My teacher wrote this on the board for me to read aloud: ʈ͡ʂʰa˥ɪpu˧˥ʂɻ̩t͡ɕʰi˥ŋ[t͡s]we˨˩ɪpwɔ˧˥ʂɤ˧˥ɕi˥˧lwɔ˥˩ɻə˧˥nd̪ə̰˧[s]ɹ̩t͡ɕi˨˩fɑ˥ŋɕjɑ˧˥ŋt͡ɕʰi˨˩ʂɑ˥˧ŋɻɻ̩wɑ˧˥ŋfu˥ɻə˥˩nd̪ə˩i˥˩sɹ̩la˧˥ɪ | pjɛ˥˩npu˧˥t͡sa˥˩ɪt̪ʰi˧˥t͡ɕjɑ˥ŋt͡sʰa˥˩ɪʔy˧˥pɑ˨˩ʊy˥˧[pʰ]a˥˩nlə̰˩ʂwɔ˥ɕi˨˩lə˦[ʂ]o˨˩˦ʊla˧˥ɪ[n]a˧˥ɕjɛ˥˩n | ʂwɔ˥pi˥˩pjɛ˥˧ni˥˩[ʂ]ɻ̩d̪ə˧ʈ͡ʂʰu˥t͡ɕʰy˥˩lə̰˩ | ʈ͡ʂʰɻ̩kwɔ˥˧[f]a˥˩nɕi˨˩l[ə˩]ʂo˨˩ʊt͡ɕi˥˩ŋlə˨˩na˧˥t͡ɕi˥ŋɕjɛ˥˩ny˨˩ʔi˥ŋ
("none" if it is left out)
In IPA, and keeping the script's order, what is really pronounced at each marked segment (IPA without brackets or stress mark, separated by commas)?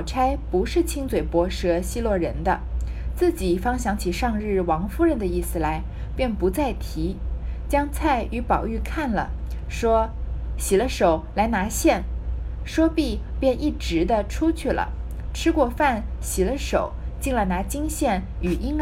t͡s, t͡s, kʰ, ʂ, n, ʈ͡ʂ, f, ə˦